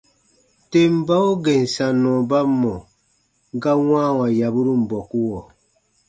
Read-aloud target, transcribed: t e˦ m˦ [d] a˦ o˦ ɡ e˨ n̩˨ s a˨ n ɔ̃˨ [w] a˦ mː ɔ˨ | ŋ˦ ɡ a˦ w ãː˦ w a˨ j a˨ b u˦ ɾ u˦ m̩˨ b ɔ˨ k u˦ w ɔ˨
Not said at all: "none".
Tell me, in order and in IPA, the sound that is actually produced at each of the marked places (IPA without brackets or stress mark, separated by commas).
b, b